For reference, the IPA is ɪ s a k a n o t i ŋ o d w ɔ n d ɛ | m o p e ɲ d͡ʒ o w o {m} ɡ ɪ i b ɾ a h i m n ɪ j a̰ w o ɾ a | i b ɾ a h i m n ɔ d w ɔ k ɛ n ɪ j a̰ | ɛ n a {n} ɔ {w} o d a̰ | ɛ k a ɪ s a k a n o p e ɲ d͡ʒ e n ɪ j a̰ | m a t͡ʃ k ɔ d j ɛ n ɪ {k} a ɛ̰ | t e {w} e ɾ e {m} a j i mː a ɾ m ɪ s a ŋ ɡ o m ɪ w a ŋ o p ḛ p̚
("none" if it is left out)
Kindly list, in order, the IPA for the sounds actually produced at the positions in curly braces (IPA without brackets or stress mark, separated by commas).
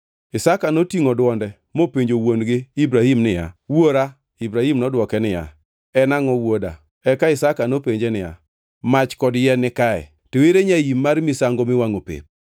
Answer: n, ŋ, w, k, w, ɲ